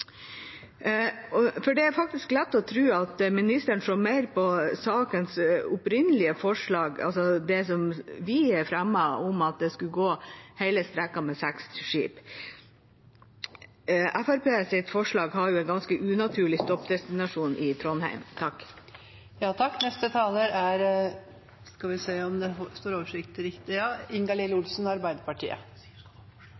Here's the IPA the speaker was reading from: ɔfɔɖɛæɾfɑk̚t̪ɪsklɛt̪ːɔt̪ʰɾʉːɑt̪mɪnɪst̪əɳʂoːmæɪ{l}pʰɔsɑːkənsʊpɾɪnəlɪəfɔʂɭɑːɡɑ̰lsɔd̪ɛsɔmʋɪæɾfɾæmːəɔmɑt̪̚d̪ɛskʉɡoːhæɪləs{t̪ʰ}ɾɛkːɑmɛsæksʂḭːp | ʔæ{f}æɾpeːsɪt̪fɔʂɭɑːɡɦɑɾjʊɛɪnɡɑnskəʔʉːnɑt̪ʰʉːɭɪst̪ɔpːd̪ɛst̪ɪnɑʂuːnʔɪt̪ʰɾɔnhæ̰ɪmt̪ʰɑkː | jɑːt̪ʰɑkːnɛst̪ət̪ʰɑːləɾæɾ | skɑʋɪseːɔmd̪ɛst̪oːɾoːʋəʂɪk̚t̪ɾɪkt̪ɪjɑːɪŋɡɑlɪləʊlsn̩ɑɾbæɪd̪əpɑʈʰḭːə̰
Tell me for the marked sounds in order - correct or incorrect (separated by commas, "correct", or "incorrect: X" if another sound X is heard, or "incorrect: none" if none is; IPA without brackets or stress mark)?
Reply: incorrect: ɾ, incorrect: t̪, correct